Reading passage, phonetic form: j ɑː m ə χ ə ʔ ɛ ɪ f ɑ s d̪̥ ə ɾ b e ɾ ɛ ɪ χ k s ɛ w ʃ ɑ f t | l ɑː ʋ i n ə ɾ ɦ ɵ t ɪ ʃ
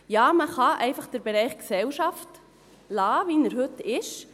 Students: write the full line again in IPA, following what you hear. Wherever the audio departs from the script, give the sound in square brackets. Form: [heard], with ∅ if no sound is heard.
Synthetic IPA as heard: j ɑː m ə χ [ɑ] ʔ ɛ ɪ f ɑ [χ] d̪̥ ə ɾ b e ɾ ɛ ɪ χ k s ɛ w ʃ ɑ f t | l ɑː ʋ i n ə ɾ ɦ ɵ t ɪ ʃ